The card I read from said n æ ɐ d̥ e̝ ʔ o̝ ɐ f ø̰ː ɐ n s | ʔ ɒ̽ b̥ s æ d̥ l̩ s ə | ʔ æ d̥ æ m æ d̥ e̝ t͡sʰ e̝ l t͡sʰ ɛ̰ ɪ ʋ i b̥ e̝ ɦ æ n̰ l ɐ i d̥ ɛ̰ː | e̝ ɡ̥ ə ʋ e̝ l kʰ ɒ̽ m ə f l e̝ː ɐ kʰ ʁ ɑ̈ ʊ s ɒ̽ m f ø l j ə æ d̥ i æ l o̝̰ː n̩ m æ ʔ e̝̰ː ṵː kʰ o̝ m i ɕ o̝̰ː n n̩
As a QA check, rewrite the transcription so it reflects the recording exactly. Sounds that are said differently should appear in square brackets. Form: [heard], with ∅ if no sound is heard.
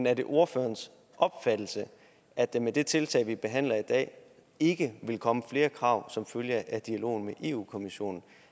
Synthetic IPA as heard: n æ ɐ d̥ e̝ ʔ o̝ ɐ f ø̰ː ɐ n s | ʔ ɒ̽ b̥ [f] æ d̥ l̩ s ə | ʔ æ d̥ [e] m [e] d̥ e̝ t͡sʰ e̝ l t͡sʰ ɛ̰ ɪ ʋ i b̥ e̝ ɦ æ n̰ l ɐ i d̥ ɛ̰ː | e̝ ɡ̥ ə ʋ e̝ l kʰ ɒ̽ m ə f l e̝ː ɐ kʰ ʁ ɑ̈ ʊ s ɒ̽ m f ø l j ə æ d̥ i æ l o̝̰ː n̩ m [e] ʔ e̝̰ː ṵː kʰ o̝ m i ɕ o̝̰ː n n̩